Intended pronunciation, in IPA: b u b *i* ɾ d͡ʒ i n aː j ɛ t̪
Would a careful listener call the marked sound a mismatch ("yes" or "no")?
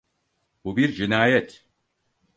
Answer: no